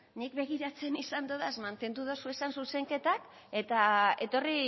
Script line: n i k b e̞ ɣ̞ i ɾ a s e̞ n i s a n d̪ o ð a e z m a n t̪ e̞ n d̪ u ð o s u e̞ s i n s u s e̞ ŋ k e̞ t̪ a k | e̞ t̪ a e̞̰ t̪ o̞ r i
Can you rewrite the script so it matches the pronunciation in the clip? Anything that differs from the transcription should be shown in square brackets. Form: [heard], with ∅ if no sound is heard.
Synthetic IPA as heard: n i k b e̞ ɣ̞ i ɾ a [t͡s] e̞ n i s a n d̪ o ð a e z m a n t̪ e̞ n d̪ u ð o s u e̞ s [a] n s u s e̞ ŋ k e̞ t̪ a k | e̞ t̪ a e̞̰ t̪ o̞ r i